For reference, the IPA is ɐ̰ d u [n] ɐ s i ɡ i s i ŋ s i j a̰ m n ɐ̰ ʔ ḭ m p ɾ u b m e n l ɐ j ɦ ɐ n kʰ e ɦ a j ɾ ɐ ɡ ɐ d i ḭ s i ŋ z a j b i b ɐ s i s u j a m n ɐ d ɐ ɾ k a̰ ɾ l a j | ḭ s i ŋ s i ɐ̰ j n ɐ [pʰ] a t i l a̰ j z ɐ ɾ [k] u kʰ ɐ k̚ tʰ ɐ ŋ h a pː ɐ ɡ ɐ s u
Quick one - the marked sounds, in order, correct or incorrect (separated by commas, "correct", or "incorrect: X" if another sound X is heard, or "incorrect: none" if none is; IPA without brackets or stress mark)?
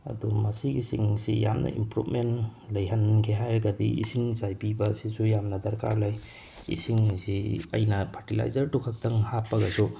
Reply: incorrect: m, correct, incorrect: t